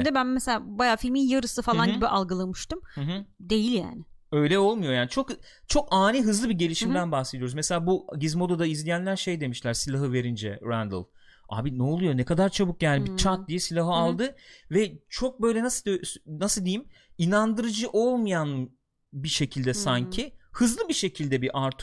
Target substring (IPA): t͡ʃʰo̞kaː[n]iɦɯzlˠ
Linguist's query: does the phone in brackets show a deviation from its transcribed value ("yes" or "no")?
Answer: no